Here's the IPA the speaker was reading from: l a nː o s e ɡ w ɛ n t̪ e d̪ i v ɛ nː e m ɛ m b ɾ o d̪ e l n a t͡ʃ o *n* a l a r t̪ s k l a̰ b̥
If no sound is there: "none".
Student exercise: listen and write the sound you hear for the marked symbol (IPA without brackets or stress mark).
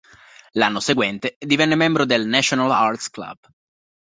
n